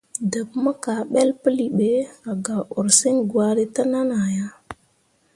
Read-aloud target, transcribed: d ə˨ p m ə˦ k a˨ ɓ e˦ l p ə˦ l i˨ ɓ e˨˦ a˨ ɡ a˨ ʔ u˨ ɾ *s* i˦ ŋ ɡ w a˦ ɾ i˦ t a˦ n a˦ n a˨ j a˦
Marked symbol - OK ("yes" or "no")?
yes